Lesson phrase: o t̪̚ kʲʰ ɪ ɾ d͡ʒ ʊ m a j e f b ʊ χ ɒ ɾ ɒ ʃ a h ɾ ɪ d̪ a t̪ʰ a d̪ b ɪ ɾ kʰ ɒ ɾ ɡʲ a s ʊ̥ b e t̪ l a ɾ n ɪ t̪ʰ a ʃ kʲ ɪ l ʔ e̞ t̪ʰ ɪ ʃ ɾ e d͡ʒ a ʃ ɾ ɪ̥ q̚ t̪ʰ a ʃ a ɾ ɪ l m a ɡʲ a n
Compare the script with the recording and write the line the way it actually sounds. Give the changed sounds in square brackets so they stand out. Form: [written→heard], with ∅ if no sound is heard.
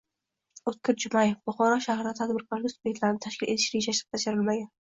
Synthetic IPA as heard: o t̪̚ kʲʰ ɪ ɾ d͡ʒ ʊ m a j e f b ʊ χ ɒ ɾ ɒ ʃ a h ɾ ɪ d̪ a t̪ʰ a d̪ b ɪ ɾ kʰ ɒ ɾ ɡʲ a s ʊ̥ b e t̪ l a ɾ n ɪ t̪ʰ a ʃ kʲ ɪ l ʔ e̞ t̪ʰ ɪ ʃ ɾ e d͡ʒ a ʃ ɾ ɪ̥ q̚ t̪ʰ a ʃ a ɾ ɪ l m a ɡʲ a n